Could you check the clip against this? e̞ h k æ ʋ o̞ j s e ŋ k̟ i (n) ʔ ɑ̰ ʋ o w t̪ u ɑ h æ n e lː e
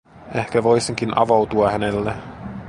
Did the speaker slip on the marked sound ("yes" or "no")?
no